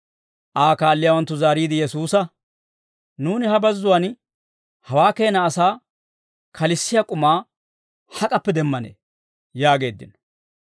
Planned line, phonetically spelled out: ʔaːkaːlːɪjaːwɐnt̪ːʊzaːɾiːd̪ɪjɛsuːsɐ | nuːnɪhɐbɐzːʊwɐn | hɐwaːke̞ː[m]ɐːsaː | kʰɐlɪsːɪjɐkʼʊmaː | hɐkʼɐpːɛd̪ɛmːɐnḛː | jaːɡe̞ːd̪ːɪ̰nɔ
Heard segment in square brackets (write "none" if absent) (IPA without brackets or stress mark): n